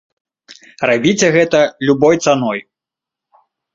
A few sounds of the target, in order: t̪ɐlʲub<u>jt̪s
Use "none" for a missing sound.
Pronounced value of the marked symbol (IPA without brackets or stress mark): ɔ